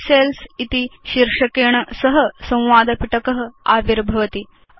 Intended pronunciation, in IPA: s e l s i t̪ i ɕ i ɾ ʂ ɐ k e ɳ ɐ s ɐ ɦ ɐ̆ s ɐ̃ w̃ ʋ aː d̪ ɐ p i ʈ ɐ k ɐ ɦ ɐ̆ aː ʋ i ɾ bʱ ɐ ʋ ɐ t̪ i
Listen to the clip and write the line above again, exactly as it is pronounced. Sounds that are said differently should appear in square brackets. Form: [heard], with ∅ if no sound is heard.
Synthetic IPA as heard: s e l s i t̪ i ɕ i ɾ ʂ ɐ k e ɳ ɐ s ɐ ɦ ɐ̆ s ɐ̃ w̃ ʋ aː d̪ ɐ p i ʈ ɐ k ɐ ɦ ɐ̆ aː ʋ i ɾ bʱ ɐ ʋ ɐ t̪ i